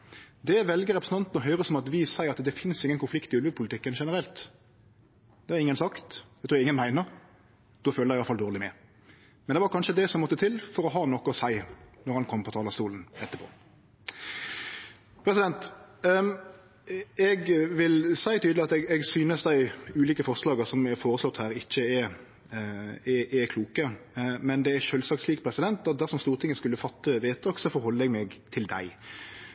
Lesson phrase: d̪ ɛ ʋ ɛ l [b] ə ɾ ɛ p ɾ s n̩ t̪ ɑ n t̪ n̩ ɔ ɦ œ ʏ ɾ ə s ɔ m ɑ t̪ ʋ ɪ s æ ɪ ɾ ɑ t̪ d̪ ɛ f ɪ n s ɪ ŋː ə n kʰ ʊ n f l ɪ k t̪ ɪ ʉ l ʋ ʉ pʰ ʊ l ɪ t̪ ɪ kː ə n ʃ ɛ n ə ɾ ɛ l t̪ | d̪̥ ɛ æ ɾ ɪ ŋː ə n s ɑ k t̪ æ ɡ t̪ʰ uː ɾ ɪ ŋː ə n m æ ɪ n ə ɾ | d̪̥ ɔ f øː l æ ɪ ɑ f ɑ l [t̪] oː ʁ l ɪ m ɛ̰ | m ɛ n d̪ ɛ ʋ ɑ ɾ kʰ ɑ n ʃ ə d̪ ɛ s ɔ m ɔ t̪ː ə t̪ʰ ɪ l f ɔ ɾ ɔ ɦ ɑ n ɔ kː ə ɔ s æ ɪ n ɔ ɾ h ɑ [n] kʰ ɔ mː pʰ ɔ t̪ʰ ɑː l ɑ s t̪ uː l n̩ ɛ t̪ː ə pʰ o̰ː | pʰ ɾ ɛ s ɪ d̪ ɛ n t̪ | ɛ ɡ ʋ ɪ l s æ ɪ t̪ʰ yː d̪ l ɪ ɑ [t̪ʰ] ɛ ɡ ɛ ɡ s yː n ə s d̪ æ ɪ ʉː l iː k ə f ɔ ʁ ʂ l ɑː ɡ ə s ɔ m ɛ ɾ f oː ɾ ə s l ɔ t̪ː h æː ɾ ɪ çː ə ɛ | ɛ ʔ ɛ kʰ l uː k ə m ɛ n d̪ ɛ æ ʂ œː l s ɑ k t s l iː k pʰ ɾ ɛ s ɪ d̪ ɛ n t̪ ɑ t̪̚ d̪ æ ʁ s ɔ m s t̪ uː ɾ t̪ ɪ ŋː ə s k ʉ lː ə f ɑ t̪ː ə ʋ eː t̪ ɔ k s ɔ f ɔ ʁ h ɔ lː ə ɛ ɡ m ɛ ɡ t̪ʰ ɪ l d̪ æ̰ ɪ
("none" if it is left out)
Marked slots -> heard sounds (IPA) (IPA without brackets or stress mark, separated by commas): ɡ, d̪, n, t̪